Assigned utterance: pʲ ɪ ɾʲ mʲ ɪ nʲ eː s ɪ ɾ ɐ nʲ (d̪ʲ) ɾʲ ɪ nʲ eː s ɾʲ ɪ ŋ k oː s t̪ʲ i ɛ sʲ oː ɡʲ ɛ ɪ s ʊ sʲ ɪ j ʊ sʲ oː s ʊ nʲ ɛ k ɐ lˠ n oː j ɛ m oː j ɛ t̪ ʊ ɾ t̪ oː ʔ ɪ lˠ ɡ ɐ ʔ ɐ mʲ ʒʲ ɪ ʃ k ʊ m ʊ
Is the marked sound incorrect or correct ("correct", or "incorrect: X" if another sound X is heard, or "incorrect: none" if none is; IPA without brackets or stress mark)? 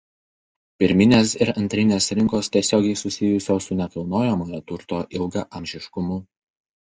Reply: incorrect: t̪ʲ